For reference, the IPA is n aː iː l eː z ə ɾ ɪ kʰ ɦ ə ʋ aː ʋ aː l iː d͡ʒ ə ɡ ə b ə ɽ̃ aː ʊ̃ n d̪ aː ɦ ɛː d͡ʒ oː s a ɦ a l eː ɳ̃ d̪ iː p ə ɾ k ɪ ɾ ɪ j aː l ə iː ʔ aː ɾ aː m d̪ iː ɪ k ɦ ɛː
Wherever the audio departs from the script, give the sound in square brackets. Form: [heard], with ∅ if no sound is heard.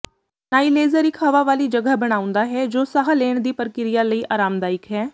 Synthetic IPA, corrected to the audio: n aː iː l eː z ə ɾ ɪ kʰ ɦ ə ʋ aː ʋ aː l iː d͡ʒ ə ɡ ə b ə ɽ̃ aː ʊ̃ n d̪ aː ɦ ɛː d͡ʒ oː s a ɦ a l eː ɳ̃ d̪ iː p ə ɾ k ɪ ɾ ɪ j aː l ə iː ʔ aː ɾ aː m d̪ [aː] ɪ k ɦ ɛː